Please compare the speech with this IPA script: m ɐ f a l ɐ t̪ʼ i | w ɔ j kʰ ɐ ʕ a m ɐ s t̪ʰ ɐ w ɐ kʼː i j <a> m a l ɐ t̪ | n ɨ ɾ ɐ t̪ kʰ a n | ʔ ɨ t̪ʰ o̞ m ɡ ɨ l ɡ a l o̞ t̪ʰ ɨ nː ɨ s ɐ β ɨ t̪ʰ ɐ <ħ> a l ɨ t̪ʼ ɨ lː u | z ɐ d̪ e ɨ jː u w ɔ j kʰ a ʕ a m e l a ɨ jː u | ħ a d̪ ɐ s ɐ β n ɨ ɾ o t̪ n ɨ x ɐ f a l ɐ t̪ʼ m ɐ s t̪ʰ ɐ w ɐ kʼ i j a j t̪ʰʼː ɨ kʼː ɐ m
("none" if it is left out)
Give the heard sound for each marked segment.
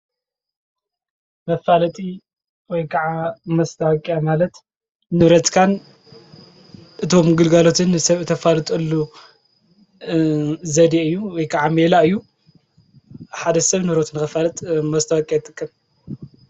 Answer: a, f

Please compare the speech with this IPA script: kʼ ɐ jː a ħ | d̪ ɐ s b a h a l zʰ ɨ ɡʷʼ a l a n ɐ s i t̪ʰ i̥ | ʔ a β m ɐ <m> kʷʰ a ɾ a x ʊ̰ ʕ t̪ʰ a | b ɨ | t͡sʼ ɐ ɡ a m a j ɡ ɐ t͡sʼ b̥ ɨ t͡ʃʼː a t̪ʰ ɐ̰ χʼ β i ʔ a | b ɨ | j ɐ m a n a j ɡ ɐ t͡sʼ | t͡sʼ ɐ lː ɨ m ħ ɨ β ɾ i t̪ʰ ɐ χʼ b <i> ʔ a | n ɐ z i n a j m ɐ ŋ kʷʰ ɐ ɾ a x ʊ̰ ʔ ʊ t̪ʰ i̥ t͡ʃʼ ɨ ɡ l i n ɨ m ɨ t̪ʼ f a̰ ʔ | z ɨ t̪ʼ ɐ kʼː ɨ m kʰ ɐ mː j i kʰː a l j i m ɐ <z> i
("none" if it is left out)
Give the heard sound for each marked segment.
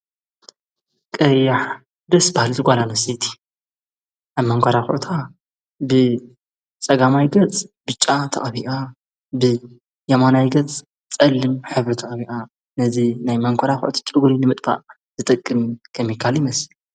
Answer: ŋ, i, s

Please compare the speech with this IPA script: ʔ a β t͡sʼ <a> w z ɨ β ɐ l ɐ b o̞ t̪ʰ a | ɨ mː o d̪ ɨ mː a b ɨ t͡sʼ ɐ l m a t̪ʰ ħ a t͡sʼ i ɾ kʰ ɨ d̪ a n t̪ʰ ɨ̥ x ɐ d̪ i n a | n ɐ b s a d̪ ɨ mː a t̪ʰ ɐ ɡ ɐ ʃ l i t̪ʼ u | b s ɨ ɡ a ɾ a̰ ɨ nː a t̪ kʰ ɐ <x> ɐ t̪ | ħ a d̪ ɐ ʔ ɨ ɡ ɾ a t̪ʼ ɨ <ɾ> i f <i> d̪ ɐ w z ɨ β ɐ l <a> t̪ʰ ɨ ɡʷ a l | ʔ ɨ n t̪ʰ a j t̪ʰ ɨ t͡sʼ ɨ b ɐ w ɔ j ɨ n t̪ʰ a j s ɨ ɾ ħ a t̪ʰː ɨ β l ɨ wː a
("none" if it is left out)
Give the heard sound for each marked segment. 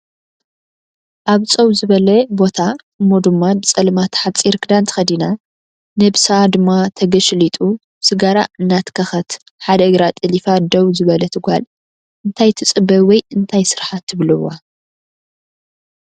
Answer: ɐ, x, l, a, ɐ

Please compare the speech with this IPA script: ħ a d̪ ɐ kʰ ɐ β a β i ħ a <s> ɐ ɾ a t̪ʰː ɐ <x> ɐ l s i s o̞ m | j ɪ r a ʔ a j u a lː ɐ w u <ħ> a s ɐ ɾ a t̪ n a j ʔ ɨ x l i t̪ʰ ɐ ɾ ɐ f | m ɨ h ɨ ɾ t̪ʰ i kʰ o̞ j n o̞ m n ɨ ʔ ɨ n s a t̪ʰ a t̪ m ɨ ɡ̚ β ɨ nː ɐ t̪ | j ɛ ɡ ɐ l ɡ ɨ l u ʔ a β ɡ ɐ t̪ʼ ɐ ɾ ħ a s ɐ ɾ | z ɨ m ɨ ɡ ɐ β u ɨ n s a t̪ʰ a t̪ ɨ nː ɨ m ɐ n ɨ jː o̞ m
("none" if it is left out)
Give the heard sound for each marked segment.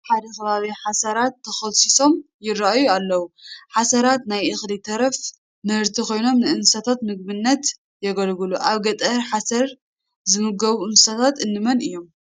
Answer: s, x, ħ

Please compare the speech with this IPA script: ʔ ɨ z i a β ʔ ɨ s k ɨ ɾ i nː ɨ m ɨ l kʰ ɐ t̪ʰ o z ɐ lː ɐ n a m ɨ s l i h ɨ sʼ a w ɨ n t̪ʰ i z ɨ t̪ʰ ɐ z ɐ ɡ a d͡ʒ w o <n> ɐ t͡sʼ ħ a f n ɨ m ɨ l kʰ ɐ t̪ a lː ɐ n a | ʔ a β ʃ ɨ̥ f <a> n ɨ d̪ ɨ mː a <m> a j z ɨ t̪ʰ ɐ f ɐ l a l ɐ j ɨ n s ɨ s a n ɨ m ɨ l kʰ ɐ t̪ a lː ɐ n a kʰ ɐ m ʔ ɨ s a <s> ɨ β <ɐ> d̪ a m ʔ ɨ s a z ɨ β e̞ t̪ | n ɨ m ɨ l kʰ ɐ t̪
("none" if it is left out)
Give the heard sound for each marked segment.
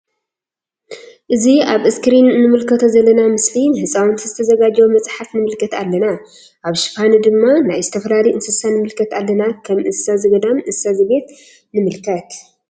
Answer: m, a, n, z, ɐ

